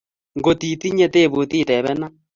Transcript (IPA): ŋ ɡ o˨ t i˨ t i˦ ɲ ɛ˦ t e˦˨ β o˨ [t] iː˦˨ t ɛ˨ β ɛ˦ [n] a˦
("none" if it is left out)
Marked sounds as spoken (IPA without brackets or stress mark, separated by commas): t, n